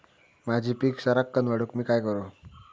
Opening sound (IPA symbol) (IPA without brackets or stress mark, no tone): m